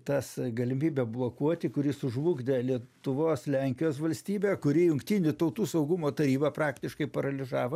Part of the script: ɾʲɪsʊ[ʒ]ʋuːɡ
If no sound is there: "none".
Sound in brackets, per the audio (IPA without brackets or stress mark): ʒ